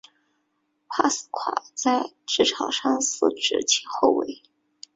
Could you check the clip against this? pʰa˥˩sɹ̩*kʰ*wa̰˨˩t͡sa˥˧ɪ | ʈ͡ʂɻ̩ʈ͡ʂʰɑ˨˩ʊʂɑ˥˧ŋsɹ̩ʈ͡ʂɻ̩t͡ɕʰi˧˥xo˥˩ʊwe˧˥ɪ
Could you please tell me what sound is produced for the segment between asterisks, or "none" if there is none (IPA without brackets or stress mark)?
kʰ